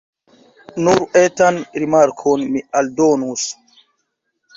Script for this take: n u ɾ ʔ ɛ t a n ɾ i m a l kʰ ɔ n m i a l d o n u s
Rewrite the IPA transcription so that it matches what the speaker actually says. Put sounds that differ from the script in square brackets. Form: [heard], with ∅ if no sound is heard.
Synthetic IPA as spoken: n u ɾ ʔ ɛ t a n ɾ i m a [ɾ] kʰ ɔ n m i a l d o n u s